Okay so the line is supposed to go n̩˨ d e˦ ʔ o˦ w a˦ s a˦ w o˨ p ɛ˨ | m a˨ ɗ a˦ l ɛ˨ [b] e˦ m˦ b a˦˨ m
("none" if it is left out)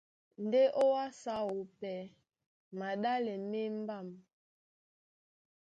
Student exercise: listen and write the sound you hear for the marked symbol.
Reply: m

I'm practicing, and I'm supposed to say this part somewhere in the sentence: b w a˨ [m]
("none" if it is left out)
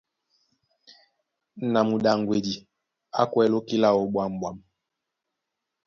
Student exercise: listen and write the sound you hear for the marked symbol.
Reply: m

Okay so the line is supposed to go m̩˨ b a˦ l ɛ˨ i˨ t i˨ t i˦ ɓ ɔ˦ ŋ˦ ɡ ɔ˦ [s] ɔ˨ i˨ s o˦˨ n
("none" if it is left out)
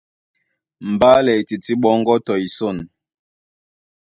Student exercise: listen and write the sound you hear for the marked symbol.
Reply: t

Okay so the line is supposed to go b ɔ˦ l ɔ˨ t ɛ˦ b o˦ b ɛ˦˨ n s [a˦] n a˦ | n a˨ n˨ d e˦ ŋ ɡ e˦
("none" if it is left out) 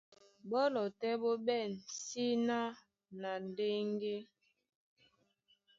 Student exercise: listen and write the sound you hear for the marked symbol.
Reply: i˦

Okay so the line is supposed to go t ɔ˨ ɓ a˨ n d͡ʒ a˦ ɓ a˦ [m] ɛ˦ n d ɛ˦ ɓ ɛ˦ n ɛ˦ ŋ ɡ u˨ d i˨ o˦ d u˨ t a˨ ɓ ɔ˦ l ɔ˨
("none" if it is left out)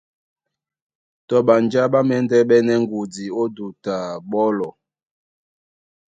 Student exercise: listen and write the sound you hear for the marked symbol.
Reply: m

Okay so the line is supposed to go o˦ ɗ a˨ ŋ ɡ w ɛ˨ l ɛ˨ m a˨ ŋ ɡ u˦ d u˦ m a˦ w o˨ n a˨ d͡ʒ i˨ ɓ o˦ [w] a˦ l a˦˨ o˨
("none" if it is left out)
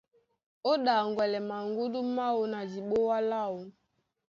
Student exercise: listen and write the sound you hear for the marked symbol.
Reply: w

